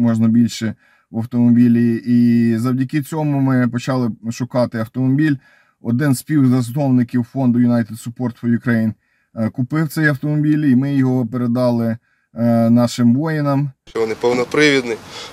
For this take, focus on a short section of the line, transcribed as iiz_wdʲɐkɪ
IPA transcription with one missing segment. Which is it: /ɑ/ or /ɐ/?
ɐ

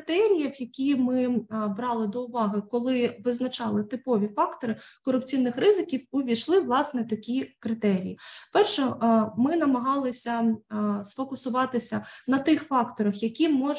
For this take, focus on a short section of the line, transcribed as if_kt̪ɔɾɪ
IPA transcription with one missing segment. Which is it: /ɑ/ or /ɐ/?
ɑ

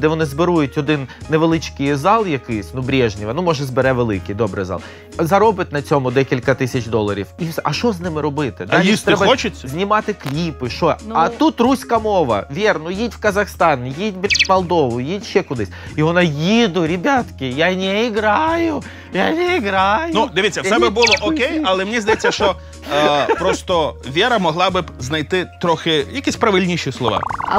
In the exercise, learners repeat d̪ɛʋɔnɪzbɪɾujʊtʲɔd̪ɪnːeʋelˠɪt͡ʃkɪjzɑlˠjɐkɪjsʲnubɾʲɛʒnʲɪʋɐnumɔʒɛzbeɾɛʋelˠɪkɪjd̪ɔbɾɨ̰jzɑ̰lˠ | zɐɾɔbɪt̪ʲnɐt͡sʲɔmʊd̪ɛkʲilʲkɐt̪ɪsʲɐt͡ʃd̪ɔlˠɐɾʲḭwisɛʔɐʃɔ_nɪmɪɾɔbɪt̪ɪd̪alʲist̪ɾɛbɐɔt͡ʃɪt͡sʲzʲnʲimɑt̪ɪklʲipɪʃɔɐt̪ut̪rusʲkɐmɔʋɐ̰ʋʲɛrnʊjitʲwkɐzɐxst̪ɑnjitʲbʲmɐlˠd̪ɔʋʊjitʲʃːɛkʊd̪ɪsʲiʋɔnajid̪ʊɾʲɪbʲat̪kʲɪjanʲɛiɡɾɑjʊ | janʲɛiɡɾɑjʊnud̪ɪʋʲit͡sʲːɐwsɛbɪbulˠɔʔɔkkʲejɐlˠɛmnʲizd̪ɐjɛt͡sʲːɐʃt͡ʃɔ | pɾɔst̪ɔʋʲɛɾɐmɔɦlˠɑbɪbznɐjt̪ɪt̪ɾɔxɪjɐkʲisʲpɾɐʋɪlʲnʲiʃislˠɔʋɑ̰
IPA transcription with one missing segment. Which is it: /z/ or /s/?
z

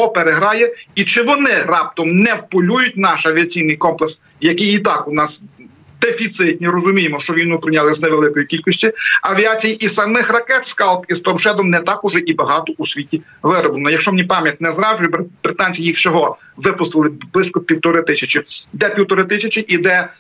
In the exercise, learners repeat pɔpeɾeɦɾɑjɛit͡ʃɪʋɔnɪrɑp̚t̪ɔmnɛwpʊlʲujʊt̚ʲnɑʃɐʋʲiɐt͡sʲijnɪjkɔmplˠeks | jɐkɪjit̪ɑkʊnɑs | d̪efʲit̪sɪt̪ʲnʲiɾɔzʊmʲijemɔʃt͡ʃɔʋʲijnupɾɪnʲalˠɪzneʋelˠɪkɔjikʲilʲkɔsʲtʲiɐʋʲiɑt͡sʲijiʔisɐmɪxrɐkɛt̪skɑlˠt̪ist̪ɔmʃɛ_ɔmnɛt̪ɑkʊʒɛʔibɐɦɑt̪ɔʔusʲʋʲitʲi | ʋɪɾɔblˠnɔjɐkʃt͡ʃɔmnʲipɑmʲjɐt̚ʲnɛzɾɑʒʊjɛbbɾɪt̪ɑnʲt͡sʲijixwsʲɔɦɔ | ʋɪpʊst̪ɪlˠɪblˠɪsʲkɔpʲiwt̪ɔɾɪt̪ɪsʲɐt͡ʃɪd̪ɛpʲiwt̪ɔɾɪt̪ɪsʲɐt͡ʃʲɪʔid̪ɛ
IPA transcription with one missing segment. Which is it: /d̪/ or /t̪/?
d̪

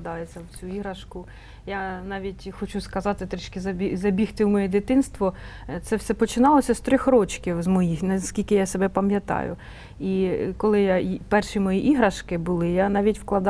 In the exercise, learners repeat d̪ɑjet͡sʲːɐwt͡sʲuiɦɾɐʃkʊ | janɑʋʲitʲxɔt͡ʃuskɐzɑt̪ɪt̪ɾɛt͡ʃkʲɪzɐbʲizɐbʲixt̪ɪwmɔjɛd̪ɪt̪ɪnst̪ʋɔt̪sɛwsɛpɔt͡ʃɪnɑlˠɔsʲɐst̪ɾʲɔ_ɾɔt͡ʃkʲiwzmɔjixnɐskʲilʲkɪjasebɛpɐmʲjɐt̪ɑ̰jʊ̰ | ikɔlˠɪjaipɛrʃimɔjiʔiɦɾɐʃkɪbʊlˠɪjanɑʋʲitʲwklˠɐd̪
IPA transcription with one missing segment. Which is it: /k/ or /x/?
x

